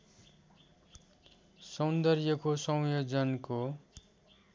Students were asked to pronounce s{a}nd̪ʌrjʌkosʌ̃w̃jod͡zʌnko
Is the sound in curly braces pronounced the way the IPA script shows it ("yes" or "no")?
no